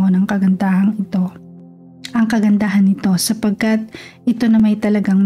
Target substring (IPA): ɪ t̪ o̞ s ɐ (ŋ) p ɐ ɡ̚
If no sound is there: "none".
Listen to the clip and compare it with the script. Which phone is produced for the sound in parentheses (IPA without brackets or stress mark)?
none